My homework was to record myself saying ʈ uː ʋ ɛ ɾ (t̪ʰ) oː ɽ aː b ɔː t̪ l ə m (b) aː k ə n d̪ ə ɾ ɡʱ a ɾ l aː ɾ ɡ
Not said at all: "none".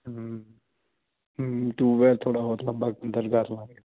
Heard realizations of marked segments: t̪ʰ, b

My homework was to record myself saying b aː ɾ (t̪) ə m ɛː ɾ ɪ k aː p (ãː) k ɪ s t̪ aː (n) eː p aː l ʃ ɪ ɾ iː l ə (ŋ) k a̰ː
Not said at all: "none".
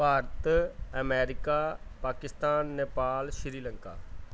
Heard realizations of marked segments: t̪, aː, nː, ŋ

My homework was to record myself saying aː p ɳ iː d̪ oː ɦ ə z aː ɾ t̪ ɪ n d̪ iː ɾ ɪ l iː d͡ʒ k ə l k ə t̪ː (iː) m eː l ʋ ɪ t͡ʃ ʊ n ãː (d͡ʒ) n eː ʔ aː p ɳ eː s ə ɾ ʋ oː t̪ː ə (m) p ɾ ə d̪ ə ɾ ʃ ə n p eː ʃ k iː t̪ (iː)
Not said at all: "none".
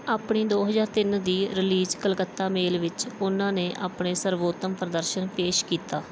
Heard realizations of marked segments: aː, none, m, aː

